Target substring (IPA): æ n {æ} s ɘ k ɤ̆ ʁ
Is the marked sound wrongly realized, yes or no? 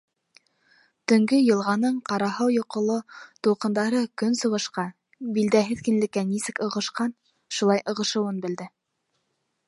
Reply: yes